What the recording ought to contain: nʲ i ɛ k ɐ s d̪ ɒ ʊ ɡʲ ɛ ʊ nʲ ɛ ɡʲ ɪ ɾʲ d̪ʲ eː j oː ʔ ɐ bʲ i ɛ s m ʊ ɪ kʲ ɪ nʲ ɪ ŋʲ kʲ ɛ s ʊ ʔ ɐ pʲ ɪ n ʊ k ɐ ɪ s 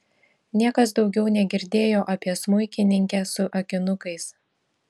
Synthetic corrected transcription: nʲ i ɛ k ɐ s d̪ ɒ ʊ ɡʲ ɛ ʊ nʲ ɛ ɡʲ ɪ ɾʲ d̪ʲ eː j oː ʔ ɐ pʲ i ɛ s m ʊ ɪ kʲ ɪ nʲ ɪ ŋʲ kʲ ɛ s ʊ ʔ ɐ kʲ ɪ n ʊ k ɐ ɪ s